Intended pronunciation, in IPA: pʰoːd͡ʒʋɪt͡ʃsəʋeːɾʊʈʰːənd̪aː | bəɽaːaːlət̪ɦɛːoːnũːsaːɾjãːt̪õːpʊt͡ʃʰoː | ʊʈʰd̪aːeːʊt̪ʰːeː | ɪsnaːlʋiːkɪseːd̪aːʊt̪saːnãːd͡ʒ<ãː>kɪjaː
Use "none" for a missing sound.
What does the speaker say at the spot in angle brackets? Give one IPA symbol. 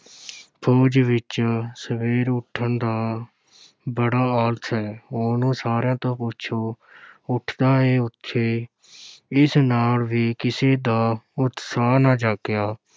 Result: aː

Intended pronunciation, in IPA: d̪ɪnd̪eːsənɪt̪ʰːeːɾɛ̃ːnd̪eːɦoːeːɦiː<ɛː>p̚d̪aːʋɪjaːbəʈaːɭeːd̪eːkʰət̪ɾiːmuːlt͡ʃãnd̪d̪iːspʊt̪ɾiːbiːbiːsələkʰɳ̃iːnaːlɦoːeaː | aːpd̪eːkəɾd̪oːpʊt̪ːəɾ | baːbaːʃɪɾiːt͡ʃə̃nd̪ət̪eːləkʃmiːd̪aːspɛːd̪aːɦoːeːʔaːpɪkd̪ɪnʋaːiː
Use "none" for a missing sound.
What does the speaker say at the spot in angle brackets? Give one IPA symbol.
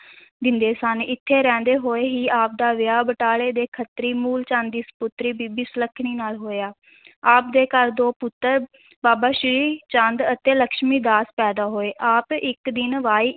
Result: aː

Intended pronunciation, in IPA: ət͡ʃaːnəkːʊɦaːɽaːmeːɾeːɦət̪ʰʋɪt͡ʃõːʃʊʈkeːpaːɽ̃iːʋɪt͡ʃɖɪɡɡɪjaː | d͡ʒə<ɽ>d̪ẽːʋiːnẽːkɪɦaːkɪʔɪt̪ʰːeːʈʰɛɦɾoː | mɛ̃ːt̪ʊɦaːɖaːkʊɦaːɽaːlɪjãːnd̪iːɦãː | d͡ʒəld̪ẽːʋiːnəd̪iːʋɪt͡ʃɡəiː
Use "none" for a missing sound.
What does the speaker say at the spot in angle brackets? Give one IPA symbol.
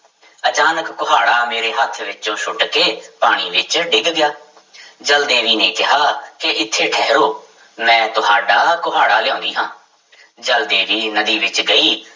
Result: l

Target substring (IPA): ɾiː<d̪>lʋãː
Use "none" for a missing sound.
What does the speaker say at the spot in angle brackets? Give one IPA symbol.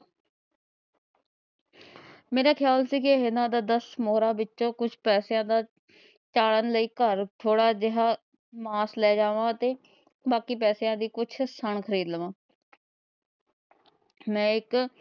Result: d̪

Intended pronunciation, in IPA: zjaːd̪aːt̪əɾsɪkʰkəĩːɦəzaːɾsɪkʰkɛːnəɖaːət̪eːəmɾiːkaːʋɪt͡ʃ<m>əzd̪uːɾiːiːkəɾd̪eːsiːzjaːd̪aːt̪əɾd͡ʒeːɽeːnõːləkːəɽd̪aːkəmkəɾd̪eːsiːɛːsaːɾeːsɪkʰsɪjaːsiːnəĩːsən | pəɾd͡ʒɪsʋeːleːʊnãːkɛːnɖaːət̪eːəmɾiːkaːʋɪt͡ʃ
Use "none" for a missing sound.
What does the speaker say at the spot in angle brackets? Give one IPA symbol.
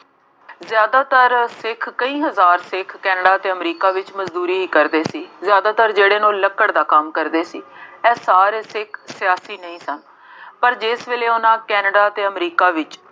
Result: m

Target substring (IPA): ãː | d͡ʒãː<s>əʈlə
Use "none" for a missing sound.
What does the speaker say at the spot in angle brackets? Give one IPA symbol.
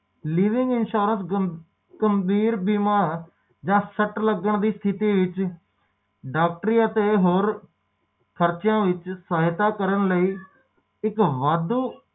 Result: s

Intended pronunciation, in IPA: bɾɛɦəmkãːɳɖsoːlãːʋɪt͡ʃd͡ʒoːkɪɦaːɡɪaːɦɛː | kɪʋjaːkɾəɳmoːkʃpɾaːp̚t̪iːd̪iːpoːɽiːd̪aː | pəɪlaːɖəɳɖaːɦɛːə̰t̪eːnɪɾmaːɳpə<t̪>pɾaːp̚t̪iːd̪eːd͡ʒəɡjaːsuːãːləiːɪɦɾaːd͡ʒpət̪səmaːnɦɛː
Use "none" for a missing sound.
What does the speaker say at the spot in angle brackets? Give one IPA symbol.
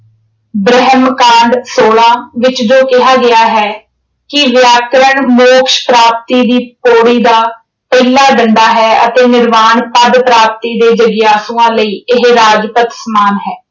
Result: d̪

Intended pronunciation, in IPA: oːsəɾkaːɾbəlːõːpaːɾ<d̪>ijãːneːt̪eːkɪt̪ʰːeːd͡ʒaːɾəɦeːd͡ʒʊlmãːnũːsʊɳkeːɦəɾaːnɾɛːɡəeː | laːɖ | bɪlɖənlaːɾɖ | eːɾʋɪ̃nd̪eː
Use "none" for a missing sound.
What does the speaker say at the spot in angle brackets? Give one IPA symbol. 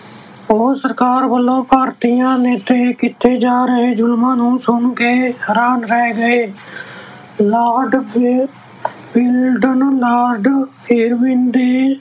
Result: t̪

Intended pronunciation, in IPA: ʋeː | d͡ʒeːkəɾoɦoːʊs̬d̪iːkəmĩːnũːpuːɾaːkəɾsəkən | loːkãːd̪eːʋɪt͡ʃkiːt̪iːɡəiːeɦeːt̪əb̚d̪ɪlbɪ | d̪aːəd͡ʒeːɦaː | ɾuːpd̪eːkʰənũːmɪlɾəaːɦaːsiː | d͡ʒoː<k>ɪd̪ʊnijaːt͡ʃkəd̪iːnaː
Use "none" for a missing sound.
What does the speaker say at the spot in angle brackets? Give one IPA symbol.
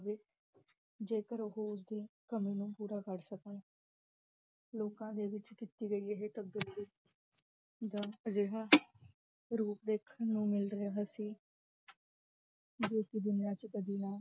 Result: k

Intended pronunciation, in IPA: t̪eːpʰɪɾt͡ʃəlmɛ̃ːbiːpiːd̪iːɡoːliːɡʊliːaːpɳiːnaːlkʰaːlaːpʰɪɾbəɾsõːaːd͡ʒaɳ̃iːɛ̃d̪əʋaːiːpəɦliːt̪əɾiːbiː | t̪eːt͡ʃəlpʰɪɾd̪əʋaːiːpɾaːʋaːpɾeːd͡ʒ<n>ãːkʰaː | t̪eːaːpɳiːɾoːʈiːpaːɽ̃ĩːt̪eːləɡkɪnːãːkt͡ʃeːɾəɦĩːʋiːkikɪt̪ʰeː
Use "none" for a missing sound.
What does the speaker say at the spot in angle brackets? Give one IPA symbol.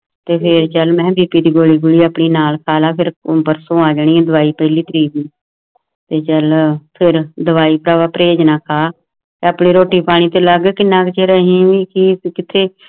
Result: n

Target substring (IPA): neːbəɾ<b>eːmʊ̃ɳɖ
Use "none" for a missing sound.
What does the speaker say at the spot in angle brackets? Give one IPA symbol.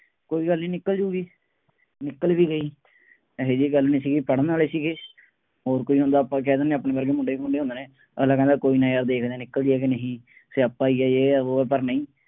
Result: ɡ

